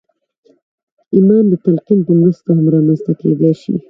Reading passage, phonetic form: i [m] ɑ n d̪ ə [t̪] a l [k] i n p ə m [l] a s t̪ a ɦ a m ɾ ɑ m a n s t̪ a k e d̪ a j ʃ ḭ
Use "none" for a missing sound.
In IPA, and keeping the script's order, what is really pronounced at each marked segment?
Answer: m, t̪, q, ɾ

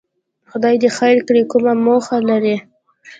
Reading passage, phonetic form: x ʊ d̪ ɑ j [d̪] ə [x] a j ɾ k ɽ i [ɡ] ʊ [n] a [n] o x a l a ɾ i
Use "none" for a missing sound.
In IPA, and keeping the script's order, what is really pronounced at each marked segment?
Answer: d̪, x, k, m, m

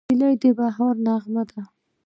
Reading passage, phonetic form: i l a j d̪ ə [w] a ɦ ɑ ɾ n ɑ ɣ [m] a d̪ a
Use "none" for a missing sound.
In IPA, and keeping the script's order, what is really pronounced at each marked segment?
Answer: b, m

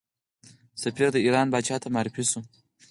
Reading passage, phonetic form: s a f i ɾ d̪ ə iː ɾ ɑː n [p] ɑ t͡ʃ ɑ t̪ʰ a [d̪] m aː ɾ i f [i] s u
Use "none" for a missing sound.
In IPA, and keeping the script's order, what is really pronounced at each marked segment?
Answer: b, none, i

